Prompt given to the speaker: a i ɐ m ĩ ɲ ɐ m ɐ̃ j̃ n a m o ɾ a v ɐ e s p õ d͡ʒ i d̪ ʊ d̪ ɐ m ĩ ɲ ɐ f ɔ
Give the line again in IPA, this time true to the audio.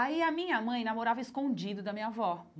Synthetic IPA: a i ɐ m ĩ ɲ ɐ m ɐ̃ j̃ n a m o ɾ a v ɐ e s k õ d͡ʒ i d̪ ʊ d̪ ɐ m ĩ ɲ ɐ v ɔ